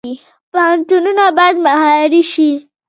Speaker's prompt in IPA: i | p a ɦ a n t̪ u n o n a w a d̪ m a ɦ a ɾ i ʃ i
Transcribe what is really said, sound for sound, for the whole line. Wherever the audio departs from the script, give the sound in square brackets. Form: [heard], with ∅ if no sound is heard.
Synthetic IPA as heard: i | p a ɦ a n t̪ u n [u] n a [b] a d̪ m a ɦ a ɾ i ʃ i